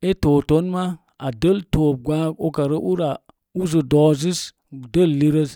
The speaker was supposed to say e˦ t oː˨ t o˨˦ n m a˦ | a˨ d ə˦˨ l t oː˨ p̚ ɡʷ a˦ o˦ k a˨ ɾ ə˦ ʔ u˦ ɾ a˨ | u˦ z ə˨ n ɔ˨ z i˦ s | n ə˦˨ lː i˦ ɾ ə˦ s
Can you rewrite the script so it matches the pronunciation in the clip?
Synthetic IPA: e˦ t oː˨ t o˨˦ n m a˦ | a˨ d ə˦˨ l t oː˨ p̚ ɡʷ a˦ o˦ k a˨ ɾ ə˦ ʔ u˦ ɾ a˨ | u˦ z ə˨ d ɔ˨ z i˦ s | d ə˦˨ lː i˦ ɾ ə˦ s

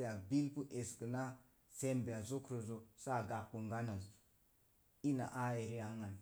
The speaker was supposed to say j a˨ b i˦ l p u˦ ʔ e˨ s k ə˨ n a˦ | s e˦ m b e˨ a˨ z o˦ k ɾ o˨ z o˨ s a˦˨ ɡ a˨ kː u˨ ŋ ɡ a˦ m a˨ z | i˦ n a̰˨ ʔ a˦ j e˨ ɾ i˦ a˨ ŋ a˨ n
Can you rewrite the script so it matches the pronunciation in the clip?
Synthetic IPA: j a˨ b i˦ l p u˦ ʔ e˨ s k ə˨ n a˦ | s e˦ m b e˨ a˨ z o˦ k ɾ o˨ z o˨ s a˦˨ ɡ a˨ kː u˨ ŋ ɡ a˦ n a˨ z | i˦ n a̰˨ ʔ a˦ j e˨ ɾ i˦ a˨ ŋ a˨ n

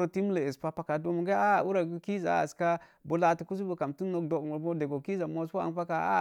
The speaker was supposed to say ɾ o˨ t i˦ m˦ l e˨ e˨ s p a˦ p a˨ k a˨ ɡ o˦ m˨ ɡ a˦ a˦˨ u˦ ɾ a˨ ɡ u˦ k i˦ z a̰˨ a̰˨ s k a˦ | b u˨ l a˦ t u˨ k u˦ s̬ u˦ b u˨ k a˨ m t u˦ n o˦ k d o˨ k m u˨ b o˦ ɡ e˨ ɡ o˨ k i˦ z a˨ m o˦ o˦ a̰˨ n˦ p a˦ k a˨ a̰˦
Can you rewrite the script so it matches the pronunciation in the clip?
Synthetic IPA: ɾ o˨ t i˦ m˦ l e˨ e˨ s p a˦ p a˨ k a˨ d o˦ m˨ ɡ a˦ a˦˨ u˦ ɾ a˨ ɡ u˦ k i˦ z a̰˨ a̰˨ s k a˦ | b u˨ l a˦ t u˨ k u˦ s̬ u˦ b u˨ k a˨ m t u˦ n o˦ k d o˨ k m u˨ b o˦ d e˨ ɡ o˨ k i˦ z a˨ m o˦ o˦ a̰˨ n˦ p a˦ k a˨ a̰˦

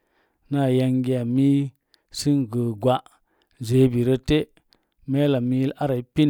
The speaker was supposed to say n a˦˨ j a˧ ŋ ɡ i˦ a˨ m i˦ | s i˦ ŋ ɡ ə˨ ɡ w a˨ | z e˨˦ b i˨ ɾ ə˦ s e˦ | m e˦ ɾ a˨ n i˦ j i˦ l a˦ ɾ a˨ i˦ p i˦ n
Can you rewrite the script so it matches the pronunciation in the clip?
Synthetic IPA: n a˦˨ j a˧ ŋ ɡ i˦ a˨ m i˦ | s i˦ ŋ ɡ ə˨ ɡ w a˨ | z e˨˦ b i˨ ɾ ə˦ t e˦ | m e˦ l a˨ m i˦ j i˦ l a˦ ɾ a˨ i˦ p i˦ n

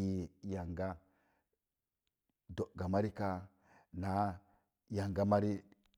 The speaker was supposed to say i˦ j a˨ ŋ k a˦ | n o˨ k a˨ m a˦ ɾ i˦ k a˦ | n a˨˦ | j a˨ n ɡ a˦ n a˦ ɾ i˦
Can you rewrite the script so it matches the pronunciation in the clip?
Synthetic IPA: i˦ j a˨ ŋ ɡ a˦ | d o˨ ɡ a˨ m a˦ ɾ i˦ k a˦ | n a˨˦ | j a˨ ŋ ɡ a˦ m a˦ ɾ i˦

